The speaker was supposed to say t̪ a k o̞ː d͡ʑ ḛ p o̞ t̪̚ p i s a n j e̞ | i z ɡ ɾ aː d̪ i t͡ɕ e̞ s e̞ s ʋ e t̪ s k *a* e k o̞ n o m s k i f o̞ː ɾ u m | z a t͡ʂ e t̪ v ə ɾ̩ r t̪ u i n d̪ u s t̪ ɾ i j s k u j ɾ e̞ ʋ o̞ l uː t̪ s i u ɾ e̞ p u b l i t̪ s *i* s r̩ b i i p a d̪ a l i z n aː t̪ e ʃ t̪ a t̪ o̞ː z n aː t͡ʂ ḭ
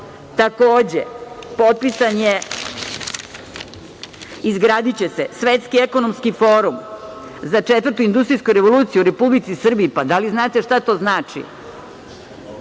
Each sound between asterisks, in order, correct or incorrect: incorrect, correct

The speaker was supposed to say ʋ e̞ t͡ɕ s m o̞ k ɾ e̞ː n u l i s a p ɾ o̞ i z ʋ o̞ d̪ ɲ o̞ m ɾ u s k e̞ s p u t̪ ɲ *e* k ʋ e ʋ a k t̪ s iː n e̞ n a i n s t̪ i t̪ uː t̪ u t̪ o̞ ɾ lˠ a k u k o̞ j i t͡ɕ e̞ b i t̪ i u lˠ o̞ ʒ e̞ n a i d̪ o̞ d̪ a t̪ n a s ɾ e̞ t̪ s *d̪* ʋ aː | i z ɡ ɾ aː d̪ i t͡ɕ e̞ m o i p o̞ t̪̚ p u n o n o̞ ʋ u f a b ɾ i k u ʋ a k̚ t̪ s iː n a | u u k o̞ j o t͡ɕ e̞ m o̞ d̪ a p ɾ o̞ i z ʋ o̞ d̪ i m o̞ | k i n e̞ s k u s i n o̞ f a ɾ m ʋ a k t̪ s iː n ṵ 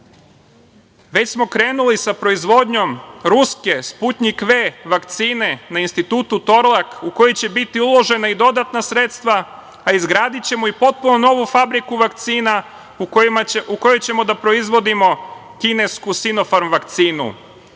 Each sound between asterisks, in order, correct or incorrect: incorrect, incorrect

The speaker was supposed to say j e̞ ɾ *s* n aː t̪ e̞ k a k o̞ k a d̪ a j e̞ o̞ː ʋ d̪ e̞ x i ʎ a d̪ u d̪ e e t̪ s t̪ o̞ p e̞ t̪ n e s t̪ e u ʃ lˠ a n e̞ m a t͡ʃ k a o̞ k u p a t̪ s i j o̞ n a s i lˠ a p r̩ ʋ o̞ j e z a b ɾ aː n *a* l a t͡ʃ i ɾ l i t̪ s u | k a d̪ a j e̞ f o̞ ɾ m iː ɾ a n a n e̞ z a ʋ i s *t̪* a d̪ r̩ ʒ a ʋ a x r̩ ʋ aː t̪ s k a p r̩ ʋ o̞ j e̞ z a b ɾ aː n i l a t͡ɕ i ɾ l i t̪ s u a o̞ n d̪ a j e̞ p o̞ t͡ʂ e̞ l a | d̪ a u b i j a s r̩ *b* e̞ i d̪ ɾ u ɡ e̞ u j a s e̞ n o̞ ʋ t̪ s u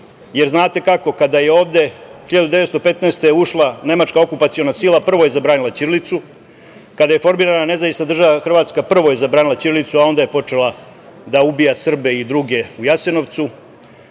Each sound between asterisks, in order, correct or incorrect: incorrect, incorrect, correct, correct

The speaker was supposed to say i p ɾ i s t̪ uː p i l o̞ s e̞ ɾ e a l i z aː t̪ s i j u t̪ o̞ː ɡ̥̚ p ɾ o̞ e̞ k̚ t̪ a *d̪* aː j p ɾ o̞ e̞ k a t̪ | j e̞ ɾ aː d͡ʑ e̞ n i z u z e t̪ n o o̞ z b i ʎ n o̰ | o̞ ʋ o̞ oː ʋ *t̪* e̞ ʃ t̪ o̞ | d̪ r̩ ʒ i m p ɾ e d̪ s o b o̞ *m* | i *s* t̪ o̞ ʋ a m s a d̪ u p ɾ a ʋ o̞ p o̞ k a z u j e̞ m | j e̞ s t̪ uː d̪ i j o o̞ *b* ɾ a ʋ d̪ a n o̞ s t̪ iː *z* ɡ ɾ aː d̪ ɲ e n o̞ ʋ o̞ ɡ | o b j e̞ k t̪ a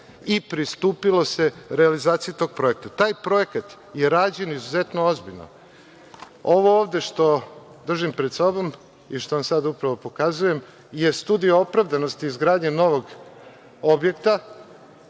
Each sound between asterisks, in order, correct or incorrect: incorrect, incorrect, correct, incorrect, incorrect, correct

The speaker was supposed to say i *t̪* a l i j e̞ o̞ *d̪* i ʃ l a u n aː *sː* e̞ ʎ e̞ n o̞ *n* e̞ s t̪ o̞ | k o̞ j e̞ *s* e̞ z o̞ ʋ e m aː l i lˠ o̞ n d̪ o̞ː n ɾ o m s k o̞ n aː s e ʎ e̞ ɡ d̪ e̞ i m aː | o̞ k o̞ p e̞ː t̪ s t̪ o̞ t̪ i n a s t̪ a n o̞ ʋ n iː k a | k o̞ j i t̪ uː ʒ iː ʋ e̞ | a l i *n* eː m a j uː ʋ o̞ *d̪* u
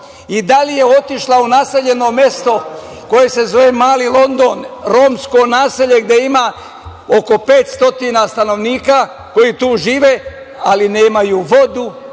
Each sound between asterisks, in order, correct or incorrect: incorrect, incorrect, incorrect, incorrect, correct, correct, correct

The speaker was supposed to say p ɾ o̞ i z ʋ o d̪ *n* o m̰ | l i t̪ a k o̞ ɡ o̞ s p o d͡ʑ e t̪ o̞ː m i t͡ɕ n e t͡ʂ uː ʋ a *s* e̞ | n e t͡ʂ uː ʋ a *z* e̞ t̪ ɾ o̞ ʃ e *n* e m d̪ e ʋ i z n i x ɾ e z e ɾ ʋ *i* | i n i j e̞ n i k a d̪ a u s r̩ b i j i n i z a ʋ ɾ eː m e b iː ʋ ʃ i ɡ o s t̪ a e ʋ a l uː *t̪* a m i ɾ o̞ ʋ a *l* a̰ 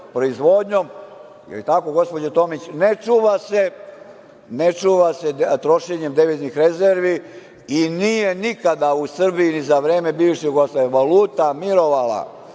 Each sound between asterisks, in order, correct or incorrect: incorrect, correct, incorrect, incorrect, correct, correct, correct

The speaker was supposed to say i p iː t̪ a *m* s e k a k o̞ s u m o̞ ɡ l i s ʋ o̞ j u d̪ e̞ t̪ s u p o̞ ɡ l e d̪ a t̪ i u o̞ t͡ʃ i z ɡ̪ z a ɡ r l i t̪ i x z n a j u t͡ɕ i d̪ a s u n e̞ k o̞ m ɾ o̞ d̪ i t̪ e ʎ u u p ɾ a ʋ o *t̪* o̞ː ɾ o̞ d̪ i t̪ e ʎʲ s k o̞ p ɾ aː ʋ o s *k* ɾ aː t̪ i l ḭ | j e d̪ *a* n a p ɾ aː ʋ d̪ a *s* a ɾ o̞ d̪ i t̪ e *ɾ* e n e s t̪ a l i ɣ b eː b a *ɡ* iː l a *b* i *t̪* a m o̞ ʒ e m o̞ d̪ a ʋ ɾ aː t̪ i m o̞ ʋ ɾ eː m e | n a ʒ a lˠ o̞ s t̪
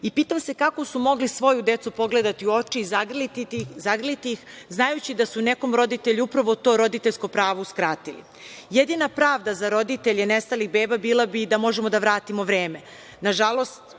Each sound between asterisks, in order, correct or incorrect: correct, correct, correct, incorrect, incorrect, incorrect, incorrect, correct, incorrect

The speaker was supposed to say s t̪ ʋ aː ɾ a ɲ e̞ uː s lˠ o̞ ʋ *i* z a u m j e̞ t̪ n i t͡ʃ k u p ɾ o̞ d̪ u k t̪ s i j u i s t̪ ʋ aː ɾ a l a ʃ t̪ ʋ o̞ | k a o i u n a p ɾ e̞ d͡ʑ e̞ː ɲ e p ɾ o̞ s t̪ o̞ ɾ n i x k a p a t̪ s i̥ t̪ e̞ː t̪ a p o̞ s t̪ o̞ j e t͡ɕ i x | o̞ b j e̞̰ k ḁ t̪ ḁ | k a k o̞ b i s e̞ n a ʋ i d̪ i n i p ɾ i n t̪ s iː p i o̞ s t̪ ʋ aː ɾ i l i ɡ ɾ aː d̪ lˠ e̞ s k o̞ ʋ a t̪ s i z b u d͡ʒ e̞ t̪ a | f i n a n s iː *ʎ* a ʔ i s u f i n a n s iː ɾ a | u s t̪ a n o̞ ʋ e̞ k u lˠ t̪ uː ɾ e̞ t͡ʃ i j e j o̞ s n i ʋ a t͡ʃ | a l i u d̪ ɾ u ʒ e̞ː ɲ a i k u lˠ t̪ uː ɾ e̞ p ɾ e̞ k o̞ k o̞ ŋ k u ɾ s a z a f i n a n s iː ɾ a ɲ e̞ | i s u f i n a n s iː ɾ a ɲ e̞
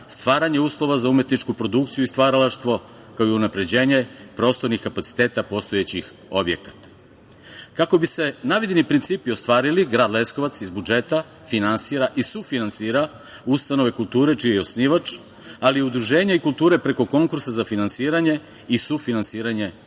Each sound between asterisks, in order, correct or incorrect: incorrect, incorrect

